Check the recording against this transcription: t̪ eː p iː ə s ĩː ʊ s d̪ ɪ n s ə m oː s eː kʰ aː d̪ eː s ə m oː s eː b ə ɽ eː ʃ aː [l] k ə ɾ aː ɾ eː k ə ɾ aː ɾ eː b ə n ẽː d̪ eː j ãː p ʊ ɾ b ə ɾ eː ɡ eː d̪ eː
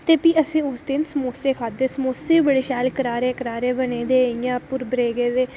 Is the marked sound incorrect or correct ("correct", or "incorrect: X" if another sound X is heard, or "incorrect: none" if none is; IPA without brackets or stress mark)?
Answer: correct